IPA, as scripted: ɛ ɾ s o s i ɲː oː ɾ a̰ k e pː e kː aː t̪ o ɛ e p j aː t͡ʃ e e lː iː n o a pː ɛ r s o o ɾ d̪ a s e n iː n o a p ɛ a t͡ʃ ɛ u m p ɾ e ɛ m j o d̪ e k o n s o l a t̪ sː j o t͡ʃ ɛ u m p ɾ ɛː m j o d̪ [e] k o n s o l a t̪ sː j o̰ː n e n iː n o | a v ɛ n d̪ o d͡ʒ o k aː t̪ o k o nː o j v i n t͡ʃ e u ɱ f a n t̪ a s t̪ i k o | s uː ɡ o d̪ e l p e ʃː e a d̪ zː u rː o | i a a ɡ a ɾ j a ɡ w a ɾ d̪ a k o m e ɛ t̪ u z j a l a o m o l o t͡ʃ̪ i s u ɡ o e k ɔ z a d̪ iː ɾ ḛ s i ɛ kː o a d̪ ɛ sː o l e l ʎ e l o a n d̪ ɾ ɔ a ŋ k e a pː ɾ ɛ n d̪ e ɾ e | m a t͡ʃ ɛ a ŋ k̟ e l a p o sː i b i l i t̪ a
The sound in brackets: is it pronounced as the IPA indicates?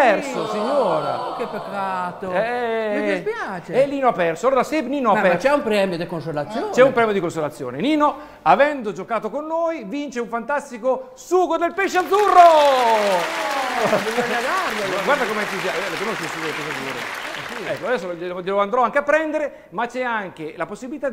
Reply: no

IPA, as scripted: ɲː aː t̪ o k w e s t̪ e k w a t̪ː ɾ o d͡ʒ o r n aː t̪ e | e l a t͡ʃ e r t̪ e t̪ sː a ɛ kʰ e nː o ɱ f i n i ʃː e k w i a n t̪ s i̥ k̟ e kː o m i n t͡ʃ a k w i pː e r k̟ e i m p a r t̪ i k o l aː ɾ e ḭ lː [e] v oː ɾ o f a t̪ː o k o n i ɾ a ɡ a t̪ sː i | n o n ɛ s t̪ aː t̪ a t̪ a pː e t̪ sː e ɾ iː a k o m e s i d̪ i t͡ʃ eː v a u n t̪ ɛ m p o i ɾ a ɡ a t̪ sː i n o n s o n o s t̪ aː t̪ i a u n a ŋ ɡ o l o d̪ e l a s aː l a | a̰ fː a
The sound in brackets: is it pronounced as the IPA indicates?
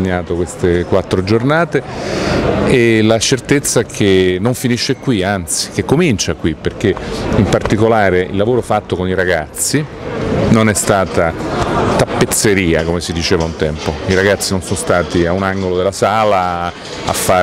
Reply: no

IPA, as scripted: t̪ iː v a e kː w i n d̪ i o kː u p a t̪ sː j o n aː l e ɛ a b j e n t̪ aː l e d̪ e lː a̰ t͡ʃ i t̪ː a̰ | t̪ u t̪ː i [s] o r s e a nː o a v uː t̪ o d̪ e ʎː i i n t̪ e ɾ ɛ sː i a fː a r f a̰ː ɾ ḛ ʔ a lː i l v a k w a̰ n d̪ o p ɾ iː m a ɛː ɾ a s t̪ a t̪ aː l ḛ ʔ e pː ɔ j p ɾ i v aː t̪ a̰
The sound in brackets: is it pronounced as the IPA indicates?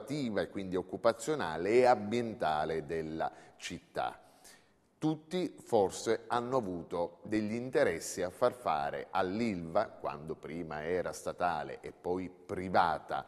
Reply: no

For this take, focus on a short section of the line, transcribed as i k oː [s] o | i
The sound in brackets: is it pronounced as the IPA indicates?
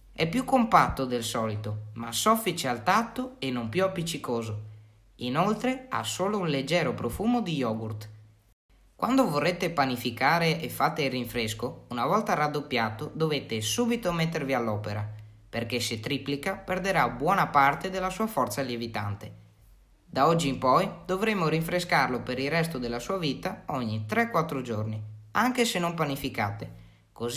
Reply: no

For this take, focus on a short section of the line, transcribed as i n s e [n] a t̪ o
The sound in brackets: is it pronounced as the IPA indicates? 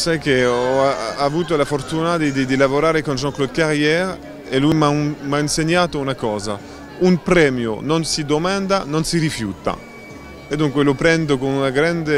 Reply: no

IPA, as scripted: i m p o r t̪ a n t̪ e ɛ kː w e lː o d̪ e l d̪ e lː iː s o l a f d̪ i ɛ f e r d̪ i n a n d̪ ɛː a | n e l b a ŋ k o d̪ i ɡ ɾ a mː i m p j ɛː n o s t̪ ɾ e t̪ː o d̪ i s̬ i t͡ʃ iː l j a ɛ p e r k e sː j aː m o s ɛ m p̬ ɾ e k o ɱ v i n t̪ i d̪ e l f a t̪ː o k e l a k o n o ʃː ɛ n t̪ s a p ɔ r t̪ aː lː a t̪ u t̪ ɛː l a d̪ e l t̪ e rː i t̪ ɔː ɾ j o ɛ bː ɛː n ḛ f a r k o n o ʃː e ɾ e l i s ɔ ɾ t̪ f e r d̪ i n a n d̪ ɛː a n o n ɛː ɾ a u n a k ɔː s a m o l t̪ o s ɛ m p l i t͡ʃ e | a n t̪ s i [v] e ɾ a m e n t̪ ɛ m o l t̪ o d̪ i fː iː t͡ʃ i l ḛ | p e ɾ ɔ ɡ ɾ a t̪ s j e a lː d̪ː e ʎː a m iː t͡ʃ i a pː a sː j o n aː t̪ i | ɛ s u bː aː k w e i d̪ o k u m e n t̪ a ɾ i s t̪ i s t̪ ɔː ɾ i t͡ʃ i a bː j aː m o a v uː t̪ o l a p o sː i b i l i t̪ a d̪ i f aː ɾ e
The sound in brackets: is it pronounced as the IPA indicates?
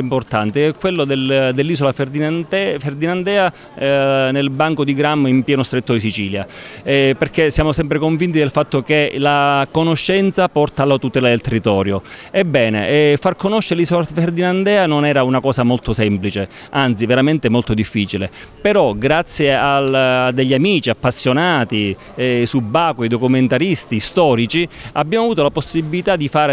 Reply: yes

